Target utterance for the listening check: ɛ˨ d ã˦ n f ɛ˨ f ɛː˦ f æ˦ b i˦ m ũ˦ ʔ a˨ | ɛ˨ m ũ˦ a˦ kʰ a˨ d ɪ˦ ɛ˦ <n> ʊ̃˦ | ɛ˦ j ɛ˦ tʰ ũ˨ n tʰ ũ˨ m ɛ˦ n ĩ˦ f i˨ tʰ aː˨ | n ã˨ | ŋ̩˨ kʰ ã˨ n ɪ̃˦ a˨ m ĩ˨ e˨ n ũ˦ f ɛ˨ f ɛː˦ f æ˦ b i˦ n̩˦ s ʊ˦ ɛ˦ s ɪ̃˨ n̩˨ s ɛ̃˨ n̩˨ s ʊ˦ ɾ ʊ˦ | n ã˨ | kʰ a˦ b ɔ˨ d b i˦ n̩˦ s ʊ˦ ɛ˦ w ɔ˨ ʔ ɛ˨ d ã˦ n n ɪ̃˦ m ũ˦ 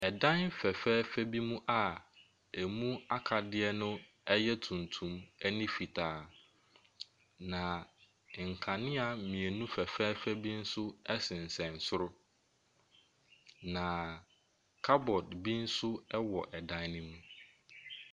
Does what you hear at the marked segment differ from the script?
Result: no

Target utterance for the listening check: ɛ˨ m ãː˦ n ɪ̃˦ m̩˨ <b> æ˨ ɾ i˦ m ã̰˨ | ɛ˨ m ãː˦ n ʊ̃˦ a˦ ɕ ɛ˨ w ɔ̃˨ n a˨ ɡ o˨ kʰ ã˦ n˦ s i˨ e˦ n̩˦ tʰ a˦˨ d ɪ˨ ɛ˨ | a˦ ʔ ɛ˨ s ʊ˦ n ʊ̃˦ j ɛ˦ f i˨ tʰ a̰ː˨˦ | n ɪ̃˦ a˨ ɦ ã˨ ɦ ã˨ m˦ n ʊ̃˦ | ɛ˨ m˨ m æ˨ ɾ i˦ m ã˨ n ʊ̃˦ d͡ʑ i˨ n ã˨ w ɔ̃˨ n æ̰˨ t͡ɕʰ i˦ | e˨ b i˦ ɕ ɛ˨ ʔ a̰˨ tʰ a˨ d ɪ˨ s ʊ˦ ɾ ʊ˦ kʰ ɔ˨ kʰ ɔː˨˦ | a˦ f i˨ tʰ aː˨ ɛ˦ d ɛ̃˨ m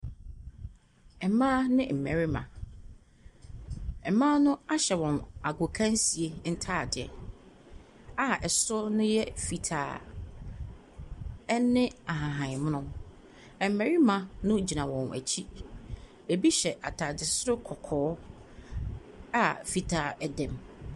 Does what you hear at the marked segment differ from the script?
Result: yes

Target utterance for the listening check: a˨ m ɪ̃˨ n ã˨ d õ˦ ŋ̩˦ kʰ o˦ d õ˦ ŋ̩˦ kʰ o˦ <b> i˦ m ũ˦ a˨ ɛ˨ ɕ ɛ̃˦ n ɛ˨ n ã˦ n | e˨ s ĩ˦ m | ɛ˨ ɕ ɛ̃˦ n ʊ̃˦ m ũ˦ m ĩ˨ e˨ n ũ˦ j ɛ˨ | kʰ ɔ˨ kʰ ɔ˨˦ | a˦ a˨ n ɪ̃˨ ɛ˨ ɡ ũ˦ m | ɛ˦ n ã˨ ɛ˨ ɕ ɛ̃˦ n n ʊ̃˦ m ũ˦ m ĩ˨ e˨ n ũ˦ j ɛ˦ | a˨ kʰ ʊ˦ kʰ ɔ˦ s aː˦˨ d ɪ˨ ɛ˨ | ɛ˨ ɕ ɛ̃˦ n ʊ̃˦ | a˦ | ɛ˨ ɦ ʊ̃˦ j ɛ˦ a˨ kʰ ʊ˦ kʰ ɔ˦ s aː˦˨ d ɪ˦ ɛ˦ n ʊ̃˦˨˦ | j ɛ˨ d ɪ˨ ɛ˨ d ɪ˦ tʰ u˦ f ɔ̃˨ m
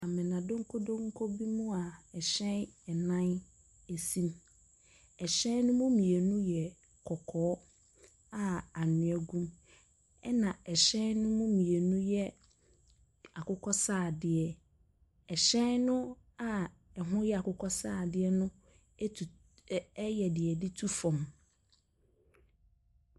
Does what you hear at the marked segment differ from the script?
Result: no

